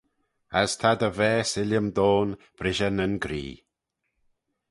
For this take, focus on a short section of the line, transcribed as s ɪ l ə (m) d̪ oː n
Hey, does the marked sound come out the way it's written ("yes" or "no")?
yes